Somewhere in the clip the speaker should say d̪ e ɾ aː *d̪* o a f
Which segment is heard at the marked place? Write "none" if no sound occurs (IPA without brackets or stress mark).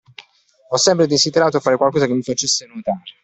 t̪